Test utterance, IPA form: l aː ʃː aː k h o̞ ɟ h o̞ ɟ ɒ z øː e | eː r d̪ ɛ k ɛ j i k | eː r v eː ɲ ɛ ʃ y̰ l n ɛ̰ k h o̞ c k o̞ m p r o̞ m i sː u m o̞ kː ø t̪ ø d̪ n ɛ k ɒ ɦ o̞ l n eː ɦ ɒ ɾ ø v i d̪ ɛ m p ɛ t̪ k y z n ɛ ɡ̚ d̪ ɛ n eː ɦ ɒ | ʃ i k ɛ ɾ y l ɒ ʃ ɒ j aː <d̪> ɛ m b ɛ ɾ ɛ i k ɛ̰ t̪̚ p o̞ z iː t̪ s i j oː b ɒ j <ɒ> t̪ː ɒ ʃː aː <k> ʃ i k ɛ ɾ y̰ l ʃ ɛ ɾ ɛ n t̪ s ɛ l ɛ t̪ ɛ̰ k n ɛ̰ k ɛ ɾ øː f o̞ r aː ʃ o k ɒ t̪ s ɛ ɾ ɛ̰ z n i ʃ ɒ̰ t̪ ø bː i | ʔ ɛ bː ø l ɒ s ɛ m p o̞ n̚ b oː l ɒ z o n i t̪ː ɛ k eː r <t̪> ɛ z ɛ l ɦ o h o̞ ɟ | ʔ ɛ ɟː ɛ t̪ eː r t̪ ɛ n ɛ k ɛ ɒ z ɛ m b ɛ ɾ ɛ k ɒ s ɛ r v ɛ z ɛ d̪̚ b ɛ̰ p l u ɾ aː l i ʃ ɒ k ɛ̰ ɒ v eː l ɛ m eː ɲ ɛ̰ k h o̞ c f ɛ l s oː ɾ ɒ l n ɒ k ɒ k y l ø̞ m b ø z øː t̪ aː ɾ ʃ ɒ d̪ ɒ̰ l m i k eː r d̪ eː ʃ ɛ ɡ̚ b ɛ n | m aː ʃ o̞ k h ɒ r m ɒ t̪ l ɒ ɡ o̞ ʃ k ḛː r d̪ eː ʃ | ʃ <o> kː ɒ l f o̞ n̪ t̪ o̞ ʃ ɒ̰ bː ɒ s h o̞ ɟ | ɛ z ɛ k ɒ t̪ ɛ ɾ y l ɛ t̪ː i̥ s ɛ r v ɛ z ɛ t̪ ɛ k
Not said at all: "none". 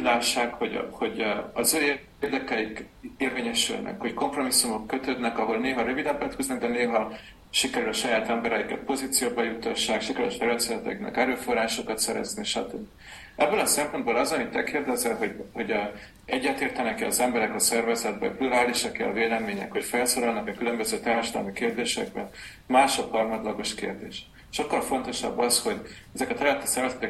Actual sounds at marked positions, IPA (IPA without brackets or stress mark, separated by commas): t̪, u, k, d̪, o